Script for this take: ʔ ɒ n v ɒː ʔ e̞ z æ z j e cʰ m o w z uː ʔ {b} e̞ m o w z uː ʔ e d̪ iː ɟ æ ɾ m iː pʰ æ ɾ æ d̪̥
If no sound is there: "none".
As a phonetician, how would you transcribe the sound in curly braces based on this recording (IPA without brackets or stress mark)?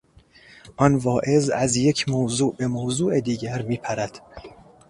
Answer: b